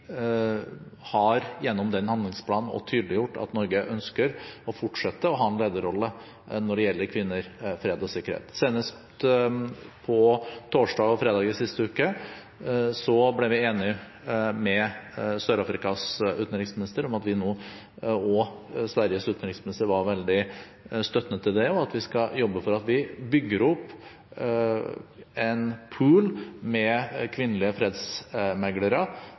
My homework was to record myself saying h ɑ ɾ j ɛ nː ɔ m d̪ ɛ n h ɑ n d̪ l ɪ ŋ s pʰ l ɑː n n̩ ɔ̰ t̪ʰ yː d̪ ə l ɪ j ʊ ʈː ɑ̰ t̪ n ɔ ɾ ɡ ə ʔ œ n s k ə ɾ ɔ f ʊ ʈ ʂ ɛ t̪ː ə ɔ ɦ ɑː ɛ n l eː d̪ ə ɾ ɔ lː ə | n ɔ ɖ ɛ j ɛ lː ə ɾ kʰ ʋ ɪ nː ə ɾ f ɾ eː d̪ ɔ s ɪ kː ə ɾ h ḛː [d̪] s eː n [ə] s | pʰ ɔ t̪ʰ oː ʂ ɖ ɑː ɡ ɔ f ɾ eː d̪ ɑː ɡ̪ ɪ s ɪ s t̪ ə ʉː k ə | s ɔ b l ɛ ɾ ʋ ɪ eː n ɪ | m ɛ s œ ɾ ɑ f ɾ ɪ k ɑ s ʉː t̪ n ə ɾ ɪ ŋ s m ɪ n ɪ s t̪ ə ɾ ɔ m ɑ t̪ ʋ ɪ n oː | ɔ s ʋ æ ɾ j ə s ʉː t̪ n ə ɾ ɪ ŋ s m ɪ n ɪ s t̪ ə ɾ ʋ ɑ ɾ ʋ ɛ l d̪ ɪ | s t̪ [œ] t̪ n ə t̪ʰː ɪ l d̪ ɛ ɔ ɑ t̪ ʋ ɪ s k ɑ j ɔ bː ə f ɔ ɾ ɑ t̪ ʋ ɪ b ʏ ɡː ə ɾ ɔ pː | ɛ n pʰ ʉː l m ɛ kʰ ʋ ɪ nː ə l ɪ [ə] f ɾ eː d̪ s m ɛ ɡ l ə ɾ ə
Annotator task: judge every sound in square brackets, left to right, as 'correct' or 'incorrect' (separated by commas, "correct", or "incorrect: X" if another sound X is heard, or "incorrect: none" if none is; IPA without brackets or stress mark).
incorrect: t̪, correct, correct, correct